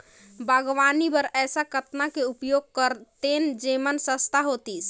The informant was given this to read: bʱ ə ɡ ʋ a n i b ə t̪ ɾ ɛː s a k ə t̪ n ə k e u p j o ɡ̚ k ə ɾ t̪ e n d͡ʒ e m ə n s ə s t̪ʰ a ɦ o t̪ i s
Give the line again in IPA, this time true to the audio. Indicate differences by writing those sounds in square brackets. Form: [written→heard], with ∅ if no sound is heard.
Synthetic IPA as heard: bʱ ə ɡ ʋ a n i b ə [t̪→∅] ɾ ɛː s a k ə t̪ n [ə→a] k e u p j o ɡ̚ k ə ɾ t̪ e n d͡ʒ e m ə n s ə s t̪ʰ a ɦ o t̪ i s